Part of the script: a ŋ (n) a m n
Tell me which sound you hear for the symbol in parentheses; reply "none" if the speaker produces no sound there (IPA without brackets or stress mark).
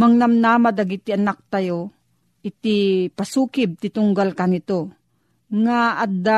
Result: n